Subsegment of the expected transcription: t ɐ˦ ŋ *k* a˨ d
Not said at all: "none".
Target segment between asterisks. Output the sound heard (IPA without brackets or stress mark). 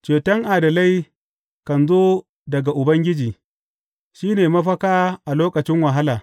ʔ